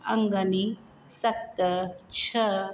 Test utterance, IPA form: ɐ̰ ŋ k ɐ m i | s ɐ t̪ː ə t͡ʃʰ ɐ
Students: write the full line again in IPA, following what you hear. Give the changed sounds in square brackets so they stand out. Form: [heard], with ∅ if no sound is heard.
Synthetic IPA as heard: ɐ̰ ŋ [ɡ] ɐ [n] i | s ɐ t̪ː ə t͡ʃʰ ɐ